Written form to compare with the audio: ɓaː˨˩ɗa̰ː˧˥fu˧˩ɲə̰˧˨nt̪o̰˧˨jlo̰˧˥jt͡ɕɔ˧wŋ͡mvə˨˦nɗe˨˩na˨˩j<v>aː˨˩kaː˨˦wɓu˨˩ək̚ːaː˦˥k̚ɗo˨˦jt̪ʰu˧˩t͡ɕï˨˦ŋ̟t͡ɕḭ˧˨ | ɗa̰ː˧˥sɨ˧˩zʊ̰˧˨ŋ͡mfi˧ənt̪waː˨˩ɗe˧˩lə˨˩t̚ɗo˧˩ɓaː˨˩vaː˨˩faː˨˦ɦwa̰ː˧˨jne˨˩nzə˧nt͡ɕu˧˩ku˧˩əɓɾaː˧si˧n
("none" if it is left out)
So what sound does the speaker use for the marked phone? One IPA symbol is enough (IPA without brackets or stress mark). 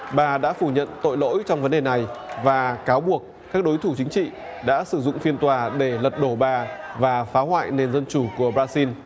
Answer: v